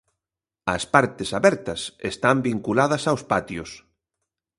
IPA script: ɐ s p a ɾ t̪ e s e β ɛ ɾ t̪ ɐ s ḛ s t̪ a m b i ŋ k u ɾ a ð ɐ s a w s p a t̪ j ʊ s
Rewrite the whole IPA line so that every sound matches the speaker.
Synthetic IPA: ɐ s p a ɾ t̪ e s a β ɛ ɾ t̪ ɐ s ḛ s t̪ a m b i ŋ k u l a ð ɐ s a w s p a t̪ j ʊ s